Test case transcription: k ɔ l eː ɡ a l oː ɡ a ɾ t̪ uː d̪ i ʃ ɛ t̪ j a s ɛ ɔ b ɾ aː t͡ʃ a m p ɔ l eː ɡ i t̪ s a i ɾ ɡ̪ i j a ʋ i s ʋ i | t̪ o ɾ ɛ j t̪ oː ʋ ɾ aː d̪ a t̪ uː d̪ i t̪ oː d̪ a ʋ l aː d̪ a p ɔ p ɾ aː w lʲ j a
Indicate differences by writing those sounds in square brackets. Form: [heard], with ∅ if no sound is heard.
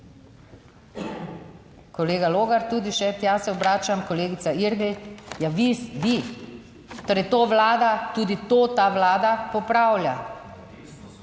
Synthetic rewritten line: k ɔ l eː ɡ a l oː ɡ a ɾ t̪ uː d̪ i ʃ ɛ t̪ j a s ɛ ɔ b ɾ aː t͡ʃ a m [k] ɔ l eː ɡ i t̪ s a i ɾ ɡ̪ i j a ʋ i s ʋ i | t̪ o ɾ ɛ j t̪ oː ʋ [l] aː d̪ a t̪ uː d̪ i t̪ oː [t̪] a ʋ l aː d̪ a p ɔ p ɾ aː w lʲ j a